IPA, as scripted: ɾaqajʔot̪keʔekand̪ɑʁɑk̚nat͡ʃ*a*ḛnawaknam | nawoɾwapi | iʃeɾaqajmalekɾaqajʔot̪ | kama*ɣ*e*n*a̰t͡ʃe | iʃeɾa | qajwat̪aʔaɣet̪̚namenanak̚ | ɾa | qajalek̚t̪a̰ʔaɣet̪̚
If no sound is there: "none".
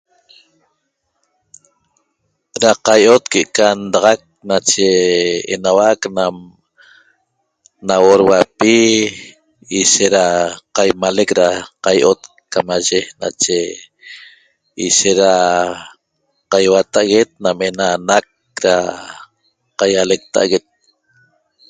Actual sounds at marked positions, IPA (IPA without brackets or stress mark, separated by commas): e, ʒ, n